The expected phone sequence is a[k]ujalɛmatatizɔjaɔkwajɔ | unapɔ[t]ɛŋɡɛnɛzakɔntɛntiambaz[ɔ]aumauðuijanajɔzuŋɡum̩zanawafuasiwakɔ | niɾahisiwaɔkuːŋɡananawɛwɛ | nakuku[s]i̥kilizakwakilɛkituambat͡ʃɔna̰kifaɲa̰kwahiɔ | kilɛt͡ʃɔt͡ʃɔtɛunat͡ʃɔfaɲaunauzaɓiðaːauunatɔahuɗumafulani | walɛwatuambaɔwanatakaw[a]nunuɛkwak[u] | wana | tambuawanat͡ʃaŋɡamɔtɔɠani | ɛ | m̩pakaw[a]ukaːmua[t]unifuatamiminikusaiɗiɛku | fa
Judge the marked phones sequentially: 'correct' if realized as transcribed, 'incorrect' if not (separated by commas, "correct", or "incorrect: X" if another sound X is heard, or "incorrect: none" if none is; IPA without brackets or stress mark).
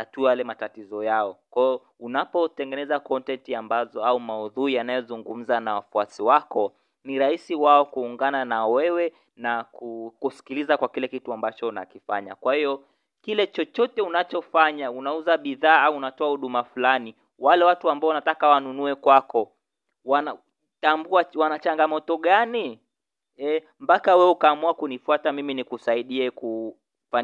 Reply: incorrect: t, correct, correct, correct, correct, incorrect: ɔ, incorrect: ɛ, incorrect: k